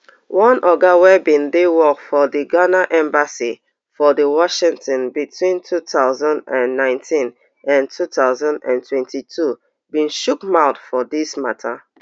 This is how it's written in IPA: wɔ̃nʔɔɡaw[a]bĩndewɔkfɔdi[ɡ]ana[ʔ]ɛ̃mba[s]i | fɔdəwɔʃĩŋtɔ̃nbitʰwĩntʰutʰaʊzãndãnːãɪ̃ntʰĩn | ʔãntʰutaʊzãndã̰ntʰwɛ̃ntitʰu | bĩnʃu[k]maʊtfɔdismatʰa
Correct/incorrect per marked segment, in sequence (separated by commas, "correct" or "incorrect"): incorrect, correct, correct, correct, correct